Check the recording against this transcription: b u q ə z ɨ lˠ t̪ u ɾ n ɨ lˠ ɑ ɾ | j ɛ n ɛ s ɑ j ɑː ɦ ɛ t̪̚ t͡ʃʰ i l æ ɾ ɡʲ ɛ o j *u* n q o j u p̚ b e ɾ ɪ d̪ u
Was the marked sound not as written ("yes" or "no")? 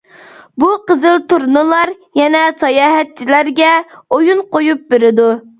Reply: no